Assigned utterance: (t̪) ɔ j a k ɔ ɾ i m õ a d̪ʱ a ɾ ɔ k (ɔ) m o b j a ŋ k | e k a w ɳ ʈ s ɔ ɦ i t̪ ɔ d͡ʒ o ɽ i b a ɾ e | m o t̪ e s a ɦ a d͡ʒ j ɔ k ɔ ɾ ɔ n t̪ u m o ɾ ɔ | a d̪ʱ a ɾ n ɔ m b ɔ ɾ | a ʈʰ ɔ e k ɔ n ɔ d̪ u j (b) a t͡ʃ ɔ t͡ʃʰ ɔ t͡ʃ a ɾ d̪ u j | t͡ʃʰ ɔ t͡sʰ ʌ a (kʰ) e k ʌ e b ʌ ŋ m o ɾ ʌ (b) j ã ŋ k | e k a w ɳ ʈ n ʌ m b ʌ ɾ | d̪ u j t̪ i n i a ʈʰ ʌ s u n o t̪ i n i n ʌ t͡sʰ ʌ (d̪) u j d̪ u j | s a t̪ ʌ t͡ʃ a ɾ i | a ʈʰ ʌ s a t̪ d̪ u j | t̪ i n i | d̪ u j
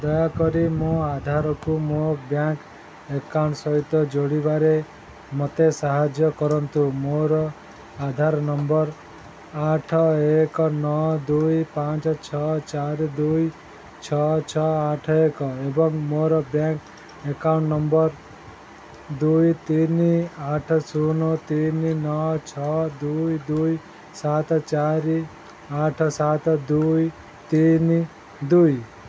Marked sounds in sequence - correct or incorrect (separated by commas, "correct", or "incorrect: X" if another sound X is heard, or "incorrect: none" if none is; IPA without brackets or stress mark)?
incorrect: d̪, incorrect: u, incorrect: p, incorrect: ʈʰ, correct, correct